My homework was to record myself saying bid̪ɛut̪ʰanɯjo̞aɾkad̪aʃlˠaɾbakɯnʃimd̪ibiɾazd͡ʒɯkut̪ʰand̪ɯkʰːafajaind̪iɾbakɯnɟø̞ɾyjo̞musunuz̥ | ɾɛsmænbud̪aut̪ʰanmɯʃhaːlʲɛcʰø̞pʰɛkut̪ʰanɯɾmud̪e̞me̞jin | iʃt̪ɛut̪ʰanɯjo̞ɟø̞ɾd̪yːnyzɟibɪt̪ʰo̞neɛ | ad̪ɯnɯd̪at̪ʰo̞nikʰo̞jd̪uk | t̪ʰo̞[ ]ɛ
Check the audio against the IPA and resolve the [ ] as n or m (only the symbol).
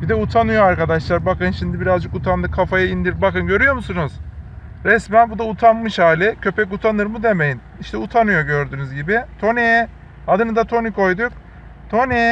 n